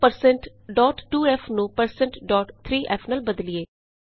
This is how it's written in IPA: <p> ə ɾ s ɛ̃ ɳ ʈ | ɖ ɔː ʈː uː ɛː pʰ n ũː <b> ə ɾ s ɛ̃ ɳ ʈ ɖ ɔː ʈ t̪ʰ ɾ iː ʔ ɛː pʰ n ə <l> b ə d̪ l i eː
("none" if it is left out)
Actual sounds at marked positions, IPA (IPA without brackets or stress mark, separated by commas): p, p, l